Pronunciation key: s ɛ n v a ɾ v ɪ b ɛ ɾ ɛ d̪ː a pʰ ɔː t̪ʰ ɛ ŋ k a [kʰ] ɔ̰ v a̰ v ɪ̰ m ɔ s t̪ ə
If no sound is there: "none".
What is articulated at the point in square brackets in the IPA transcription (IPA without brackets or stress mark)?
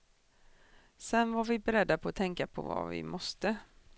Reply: pʰ